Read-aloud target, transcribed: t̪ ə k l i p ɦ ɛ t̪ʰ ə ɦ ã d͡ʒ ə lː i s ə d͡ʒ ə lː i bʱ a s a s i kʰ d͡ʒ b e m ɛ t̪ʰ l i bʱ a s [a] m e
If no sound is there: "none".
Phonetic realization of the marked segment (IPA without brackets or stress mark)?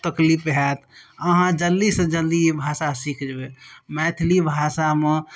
a